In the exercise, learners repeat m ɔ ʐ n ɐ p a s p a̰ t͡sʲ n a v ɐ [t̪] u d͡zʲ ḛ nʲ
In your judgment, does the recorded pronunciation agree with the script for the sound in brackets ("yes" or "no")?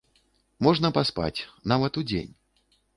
yes